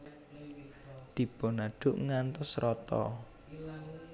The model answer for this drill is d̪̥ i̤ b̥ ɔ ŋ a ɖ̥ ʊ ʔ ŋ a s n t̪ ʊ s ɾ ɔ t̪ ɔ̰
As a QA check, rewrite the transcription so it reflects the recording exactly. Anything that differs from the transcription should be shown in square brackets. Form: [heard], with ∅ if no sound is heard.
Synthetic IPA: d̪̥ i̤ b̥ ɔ [n] a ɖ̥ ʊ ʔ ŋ a [∅] n t̪ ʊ s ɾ ɔ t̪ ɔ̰